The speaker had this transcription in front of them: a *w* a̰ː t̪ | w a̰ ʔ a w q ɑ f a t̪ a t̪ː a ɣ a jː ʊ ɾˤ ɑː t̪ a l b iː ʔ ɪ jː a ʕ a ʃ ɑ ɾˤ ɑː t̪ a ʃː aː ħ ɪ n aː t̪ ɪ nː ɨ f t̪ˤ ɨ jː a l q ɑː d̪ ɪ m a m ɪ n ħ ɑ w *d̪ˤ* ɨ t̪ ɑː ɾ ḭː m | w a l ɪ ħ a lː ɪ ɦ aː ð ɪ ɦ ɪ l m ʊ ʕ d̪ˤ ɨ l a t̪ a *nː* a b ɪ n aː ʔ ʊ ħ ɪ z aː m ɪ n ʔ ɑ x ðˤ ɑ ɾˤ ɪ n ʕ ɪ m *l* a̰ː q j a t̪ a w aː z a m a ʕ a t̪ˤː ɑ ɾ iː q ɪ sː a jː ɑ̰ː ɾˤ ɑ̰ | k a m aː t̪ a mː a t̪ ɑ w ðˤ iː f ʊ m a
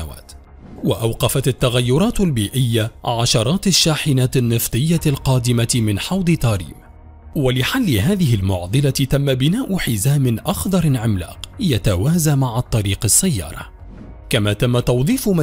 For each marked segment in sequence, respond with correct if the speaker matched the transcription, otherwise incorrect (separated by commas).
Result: correct, correct, incorrect, correct